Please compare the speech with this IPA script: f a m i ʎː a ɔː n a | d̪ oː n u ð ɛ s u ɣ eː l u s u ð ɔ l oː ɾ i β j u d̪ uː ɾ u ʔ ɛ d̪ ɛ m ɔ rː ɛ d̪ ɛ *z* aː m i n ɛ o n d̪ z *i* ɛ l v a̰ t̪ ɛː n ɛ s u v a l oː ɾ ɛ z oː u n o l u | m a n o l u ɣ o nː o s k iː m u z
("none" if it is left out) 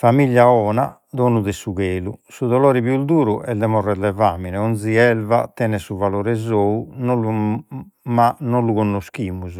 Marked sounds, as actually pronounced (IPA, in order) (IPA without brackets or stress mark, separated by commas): v, i